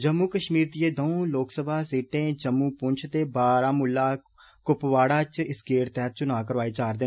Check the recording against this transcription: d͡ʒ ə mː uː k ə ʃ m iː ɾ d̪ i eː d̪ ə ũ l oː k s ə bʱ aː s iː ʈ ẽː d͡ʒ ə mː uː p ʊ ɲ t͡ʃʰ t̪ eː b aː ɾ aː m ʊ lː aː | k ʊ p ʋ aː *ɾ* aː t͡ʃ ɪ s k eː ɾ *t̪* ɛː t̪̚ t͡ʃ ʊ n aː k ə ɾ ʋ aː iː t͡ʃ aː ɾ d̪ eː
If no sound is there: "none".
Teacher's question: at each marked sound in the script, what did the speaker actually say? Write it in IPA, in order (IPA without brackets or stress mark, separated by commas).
ɽ, t̪